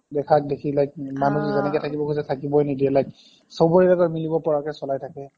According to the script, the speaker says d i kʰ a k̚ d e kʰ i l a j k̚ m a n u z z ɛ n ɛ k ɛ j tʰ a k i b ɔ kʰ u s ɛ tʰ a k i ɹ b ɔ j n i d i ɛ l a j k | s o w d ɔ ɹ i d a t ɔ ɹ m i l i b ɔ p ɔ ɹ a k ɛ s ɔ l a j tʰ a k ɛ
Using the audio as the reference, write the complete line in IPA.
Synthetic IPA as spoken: d ɛ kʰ a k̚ d e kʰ i l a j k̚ m a n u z z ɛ n ɛ k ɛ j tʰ a k i b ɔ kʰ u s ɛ tʰ a k i b ɔ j n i d i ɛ l a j k | s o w b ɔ ɹ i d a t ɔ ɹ m i l i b ɔ p ɔ ɹ a k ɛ s ɔ l a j tʰ a k ɛ